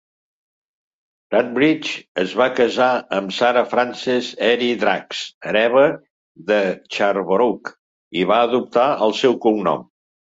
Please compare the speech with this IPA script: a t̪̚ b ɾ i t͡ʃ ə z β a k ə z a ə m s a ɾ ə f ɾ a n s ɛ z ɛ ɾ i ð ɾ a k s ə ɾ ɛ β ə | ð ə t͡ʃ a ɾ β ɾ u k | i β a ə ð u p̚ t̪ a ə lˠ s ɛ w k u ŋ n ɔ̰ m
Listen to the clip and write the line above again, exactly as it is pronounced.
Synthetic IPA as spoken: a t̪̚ b ɾ i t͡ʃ ə z β a k ə z a ə m s a ɾ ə f ɾ a n s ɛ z ɛ ɾ i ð ɾ a k s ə ɾ ɛ β ə | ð ə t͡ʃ a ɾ β ɾ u k | i β a ə ð u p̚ t̪ a ə lˠ s ɛ w k u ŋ n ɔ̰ m